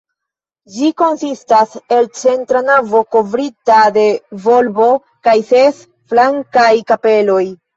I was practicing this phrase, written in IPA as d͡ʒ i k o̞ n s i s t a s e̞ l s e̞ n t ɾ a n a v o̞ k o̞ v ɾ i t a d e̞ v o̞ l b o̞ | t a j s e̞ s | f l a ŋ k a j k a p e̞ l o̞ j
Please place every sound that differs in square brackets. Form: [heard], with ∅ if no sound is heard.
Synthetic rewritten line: d͡ʒ i k o̞ n s i s t a s e̞ l [t͡s] e̞ n t ɾ a n a v o̞ k o̞ v ɾ i t a d e̞ v o̞ l b o̞ | [k] a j s e̞ s | f l a ŋ k a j k a p e̞ l o̞ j